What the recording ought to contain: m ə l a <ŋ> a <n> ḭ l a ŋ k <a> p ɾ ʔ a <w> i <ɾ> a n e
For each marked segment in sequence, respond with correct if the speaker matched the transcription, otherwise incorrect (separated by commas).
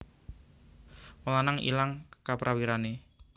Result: incorrect, incorrect, correct, correct, correct